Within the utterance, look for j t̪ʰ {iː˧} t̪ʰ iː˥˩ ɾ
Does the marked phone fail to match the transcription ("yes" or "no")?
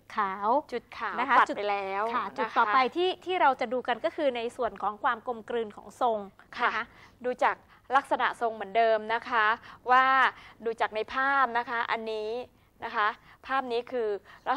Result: yes